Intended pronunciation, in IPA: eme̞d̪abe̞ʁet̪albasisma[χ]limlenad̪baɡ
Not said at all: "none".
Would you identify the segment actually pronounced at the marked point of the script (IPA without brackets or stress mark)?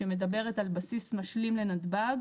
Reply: ʃ